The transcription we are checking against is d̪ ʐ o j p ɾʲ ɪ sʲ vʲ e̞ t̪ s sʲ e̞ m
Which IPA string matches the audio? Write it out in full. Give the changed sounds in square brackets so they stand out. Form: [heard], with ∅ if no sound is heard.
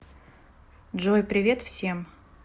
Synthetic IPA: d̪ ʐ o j p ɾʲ ɪ [∅] vʲ e̞ t̪ [f] sʲ e̞ m